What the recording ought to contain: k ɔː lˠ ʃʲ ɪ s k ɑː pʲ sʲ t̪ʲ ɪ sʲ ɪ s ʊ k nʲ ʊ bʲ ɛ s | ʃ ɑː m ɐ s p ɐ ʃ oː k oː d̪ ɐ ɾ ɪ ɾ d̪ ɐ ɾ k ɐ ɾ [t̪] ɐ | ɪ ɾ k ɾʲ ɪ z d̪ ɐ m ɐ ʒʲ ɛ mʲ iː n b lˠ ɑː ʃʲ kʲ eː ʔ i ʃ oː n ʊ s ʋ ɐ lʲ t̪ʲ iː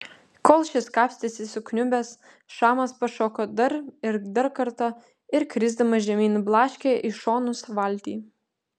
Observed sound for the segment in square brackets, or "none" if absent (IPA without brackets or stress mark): t̪